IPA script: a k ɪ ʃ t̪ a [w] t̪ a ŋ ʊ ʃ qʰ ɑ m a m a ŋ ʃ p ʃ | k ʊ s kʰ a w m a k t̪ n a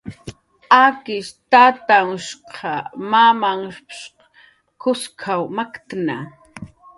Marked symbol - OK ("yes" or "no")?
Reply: no